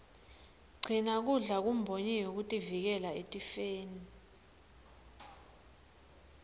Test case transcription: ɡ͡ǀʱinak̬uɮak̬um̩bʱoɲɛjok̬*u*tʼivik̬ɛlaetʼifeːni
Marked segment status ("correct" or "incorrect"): correct